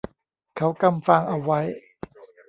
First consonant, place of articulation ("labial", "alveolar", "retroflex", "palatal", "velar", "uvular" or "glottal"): velar